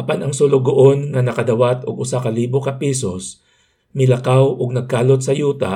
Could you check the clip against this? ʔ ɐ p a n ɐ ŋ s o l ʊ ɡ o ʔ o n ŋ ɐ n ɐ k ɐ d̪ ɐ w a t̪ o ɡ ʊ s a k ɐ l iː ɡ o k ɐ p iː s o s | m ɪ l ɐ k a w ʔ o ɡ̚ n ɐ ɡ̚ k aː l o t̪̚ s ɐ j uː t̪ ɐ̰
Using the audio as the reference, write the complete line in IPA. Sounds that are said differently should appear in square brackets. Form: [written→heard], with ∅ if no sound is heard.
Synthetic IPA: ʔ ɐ p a n ɐ ŋ s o l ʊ ɡ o ʔ o n ŋ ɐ n ɐ k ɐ d̪ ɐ w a t̪ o ɡ ʊ s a k ɐ l iː [ɡ→b] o k ɐ p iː s o s | m ɪ l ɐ k a w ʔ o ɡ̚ n ɐ ɡ̚ k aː l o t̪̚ s ɐ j uː t̪ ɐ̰